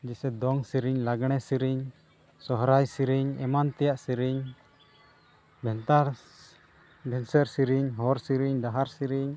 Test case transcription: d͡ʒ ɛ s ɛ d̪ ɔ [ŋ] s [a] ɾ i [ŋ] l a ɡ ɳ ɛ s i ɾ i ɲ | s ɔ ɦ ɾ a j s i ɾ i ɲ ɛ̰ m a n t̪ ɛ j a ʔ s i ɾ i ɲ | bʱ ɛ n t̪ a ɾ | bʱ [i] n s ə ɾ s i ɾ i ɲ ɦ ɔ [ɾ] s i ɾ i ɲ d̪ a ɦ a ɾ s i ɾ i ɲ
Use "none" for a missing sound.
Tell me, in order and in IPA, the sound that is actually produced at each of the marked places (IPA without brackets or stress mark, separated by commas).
ŋ, i, ɲ, ɛ, ɾ